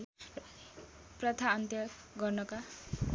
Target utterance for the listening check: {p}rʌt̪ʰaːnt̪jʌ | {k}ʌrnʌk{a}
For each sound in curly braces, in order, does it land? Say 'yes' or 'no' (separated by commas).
yes, no, yes